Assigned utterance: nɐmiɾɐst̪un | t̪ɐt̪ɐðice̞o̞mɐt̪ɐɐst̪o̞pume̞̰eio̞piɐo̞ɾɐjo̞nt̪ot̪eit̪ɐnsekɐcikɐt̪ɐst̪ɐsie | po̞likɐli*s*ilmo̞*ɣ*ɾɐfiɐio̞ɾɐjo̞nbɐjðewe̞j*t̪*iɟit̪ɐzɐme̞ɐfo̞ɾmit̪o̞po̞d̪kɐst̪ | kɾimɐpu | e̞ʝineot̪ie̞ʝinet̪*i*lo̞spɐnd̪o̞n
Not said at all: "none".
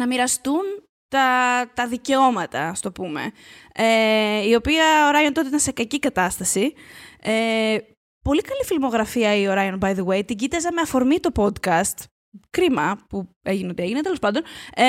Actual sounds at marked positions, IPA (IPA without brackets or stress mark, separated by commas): f, ɣ, t̪, e